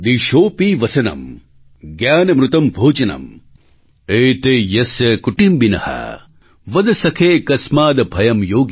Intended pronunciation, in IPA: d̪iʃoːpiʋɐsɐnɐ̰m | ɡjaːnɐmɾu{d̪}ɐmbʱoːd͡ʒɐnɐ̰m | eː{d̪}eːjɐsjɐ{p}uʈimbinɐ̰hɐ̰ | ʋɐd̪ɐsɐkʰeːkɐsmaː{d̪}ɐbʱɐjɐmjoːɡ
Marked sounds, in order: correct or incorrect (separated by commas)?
incorrect, incorrect, incorrect, correct